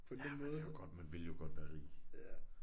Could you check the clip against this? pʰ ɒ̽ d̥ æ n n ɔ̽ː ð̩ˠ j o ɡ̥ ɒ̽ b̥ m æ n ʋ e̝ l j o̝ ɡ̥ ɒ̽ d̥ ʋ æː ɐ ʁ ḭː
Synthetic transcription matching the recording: pʰ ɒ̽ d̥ e n m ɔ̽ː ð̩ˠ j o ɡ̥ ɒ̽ d̥ m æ n ʋ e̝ l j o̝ ɡ̥ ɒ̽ d̥ ʋ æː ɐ ʁ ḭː